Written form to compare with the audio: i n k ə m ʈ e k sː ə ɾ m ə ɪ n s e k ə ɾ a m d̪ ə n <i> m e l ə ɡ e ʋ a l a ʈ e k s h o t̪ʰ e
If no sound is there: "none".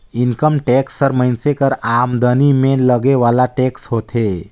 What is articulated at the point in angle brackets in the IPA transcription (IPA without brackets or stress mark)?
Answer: i